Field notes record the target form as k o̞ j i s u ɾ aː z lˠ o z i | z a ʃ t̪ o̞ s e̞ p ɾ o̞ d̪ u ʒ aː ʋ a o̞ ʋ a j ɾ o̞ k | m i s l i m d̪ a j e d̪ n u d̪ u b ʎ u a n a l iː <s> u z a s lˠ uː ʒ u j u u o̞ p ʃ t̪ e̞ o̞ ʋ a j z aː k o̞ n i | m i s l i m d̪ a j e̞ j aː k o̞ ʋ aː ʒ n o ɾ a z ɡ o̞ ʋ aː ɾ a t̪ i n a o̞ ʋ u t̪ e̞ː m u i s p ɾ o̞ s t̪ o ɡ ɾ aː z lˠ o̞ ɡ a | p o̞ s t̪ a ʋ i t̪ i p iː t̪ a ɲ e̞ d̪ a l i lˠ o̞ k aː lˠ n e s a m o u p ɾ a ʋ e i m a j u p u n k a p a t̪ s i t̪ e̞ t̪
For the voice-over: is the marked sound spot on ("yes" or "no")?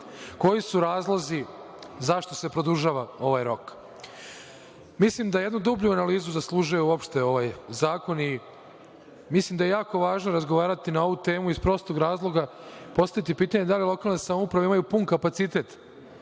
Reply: no